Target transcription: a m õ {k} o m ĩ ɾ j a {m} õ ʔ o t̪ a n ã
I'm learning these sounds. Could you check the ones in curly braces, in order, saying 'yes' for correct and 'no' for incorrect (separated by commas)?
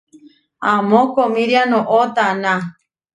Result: yes, no